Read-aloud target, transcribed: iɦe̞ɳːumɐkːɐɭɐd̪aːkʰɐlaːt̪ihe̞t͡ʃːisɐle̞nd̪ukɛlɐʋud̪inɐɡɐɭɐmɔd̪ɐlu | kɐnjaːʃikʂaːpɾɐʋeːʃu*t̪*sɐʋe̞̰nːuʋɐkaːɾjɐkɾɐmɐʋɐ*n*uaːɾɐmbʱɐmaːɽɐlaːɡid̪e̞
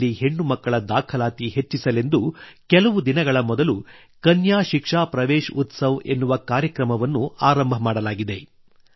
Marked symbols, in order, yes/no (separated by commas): yes, no